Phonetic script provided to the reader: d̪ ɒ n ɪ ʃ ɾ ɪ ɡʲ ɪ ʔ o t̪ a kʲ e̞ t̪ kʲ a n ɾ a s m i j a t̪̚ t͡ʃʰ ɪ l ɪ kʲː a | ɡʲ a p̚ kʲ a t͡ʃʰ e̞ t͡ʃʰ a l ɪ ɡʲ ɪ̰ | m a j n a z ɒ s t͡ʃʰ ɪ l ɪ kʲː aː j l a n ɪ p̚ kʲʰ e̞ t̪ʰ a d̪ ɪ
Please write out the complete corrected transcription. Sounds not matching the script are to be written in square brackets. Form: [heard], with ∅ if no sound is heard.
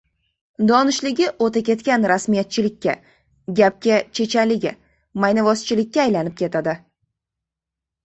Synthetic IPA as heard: d̪ ɒ n ɪ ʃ [l] ɪ ɡʲ ɪ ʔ o t̪ a kʲ e̞ t̪ kʲ a n ɾ a s m i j a t̪̚ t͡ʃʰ ɪ l ɪ kʲː a | ɡʲ a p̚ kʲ a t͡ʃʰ e̞ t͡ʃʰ a l ɪ ɡʲ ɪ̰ | m a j n a [v] ɒ s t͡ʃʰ ɪ l ɪ kʲː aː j l a n ɪ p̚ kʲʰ e̞ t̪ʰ a d̪ ɪ

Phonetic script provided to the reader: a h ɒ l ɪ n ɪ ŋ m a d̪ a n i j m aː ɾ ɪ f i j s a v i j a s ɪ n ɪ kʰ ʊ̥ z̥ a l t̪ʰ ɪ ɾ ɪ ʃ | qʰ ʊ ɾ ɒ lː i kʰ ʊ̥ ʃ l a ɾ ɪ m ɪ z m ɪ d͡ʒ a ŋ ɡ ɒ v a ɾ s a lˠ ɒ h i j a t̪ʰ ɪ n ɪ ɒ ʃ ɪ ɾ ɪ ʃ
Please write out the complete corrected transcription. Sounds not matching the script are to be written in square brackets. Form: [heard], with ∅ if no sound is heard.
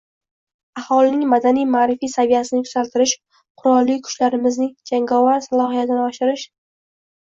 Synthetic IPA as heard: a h ɒ l ɪ n ɪ ŋ m a d̪ a n i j m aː ɾ ɪ f i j s a v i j a s ɪ n ɪ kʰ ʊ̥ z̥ a l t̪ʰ ɪ ɾ ɪ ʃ | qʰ ʊ ɾ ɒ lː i kʰ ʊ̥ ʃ l a ɾ ɪ m ɪ z [n] ɪ d͡ʒ a ŋ ɡ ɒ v a ɾ s a lˠ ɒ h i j a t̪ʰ ɪ n ɪ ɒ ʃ ɪ ɾ ɪ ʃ

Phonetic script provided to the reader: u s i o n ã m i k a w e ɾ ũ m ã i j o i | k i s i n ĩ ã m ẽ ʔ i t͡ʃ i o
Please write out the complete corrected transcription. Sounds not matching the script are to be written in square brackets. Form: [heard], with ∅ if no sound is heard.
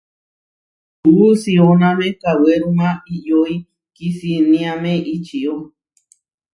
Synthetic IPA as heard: u s i o n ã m [e] k a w e ɾ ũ m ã i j o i | k i s i n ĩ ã m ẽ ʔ i t͡ʃ i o

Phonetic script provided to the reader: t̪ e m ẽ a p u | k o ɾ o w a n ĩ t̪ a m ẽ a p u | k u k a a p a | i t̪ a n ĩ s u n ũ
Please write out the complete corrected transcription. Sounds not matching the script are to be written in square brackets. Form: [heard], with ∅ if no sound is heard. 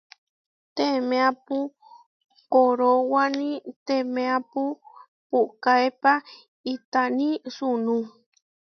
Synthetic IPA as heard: t̪ e m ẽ a p u | k o ɾ o w a n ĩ t̪ [e] m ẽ a p u | [p] u k a [e] p a | i t̪ a n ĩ s u n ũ

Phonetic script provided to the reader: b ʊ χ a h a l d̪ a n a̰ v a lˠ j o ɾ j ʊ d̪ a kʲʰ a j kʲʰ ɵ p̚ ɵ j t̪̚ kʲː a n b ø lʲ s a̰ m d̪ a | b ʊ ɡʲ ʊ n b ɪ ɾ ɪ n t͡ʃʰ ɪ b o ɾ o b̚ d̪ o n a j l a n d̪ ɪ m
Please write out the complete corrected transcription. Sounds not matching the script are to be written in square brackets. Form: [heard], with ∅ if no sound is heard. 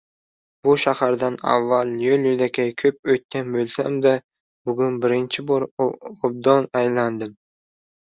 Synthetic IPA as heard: b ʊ [ʃ] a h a [ɾ] d̪ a n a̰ [vː] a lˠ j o [l] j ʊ d̪ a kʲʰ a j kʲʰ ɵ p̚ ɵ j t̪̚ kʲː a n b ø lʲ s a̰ m d̪ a | b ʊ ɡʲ ʊ n b ɪ ɾ ɪ n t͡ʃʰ ɪ b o ɾ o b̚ d̪ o n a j l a n d̪ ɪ m

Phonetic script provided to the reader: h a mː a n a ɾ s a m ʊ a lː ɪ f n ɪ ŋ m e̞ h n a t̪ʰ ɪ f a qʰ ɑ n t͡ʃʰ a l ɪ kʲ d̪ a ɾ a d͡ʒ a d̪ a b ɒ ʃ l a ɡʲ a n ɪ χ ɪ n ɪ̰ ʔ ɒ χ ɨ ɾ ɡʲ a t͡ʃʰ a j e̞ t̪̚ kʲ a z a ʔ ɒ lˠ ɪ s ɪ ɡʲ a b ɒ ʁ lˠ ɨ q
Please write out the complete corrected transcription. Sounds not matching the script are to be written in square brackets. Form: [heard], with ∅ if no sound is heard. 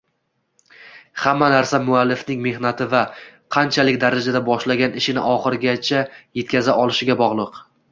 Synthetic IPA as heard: h a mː a n a ɾ s a m ʊ a lː ɪ f n ɪ ŋ m e̞ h n a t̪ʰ ɪ [v] a qʰ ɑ n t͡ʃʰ a l ɪ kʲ d̪ a ɾ a d͡ʒ a d̪ a b ɒ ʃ l a ɡʲ a n ɪ [ʃ] ɪ n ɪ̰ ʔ ɒ χ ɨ ɾ ɡʲ a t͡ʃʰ a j e̞ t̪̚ kʲ a z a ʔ ɒ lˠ ɪ [ʃ] ɪ ɡʲ a b ɒ ʁ lˠ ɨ q

